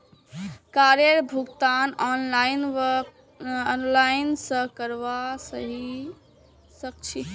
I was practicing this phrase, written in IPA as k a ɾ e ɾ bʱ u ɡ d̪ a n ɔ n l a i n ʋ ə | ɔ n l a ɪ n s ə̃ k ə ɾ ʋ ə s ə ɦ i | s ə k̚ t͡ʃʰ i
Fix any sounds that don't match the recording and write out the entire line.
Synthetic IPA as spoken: k a ɾ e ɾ bʱ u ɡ t̪ a n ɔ n l a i n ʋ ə | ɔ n l a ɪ n s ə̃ k ə ɾ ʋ a s ə ɦ i | s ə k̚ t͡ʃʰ i